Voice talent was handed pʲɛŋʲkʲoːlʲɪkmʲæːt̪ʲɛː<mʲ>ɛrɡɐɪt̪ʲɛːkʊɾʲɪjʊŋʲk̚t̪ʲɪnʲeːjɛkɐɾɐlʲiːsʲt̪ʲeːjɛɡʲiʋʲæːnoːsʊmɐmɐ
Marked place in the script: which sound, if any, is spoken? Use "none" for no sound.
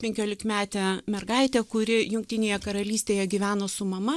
mʲ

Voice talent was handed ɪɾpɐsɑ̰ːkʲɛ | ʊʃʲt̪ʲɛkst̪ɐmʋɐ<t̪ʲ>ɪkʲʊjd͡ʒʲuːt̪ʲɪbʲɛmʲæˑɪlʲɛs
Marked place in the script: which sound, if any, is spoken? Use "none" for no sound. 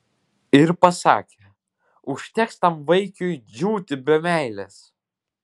none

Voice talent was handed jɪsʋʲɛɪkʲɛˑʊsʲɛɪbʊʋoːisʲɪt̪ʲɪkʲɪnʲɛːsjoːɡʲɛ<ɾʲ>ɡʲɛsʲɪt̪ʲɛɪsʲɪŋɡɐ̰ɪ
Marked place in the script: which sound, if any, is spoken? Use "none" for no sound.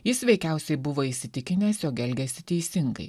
lʲ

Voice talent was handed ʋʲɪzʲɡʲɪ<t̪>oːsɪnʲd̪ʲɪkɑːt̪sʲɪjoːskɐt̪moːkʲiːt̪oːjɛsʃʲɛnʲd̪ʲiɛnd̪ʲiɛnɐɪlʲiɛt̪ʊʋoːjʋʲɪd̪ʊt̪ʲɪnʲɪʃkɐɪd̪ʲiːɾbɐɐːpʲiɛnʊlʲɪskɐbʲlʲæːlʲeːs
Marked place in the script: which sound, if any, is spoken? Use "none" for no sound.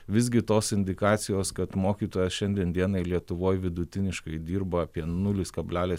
t̪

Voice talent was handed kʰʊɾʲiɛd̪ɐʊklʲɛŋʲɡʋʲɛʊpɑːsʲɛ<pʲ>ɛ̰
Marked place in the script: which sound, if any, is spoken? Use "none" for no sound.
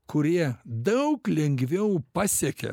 kʲ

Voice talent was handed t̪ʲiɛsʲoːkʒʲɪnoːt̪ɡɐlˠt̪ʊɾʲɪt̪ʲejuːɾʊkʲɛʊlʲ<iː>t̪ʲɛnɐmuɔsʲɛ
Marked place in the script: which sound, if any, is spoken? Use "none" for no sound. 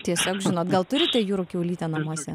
iː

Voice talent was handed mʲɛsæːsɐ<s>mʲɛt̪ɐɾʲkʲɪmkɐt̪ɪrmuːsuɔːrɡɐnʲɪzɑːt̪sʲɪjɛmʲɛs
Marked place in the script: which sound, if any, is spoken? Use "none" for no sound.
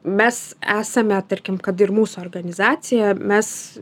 none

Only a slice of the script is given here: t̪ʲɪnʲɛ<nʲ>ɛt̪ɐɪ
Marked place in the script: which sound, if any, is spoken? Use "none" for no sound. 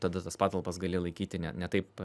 nʲ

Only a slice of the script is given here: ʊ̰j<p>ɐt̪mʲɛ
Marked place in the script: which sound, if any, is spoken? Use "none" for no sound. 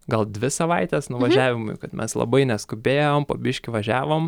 k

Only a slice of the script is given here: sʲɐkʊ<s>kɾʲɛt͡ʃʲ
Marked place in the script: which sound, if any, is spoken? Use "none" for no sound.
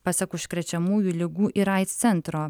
ʃ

